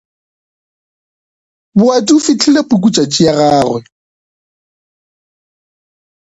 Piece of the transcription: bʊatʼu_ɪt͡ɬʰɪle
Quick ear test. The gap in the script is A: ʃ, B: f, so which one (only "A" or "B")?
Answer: B